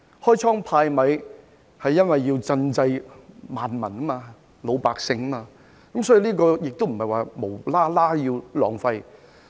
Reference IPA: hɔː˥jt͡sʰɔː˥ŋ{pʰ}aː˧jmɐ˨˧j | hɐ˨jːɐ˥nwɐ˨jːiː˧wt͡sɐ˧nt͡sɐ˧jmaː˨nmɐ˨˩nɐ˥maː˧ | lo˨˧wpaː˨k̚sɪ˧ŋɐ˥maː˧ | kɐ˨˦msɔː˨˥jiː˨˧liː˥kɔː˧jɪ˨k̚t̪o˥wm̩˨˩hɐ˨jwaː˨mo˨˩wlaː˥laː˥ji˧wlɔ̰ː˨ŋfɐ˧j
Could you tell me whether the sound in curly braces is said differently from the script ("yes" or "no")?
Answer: no